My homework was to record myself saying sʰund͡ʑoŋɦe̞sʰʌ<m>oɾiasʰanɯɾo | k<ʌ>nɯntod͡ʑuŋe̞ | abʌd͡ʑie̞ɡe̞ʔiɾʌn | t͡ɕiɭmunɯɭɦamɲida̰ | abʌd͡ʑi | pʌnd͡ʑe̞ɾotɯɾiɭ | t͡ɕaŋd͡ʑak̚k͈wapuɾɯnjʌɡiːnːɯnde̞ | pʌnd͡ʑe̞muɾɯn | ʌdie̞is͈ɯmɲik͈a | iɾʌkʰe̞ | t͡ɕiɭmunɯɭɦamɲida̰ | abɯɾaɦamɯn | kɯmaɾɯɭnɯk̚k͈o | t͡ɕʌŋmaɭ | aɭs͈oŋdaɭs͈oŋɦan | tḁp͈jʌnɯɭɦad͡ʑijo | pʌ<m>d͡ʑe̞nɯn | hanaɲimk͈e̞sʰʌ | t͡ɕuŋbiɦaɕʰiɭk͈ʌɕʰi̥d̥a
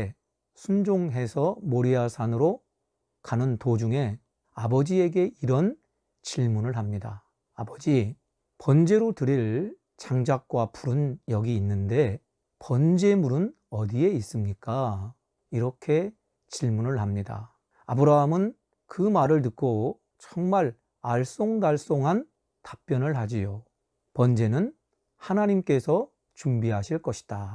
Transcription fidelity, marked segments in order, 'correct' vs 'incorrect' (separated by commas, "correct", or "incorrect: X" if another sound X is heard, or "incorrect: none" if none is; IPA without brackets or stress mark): correct, incorrect: a, incorrect: n